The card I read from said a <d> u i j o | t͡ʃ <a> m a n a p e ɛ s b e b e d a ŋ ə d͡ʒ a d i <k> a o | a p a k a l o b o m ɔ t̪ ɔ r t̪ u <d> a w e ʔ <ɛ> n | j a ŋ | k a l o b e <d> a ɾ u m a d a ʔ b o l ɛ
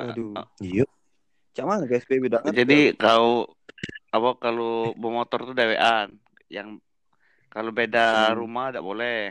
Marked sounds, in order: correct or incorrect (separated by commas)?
correct, correct, correct, correct, incorrect, correct